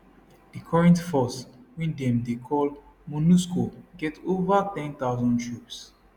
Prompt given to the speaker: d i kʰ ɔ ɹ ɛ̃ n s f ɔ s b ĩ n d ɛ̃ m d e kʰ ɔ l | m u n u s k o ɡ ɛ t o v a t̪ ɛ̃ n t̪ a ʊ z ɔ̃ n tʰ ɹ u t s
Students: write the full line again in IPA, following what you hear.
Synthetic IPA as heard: d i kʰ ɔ ɹ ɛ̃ n t f ɔ s w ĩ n d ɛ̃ m d e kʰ ɔ l | m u n u s k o ɡ ɛ t o v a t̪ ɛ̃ n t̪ a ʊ z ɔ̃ n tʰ ɹ u p s